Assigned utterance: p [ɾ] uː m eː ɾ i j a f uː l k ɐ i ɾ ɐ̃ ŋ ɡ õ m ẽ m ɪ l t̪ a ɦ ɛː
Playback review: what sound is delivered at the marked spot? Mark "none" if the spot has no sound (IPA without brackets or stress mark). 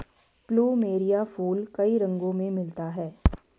l